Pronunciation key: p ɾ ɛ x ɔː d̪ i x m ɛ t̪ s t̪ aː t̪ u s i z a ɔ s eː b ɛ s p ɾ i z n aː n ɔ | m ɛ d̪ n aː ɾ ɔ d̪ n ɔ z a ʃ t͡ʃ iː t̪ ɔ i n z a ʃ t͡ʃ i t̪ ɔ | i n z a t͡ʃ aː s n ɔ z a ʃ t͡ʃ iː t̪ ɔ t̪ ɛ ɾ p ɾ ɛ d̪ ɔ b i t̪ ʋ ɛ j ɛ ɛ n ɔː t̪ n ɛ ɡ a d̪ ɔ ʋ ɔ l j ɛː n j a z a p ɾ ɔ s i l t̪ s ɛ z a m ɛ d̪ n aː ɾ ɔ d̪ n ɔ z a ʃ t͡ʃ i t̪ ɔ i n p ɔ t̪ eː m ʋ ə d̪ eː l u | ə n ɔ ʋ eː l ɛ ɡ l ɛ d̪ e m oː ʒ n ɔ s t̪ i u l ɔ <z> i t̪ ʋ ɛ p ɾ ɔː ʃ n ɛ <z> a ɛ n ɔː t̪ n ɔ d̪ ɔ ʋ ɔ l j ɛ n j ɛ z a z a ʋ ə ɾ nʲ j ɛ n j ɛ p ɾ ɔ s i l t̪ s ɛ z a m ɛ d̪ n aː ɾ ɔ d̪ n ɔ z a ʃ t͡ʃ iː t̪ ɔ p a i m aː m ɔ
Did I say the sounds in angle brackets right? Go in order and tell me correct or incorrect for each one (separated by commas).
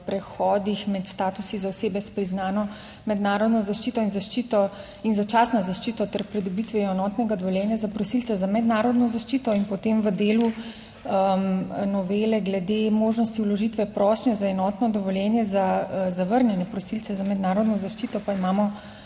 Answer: incorrect, correct